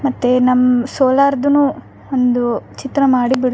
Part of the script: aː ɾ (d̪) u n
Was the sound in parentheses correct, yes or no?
yes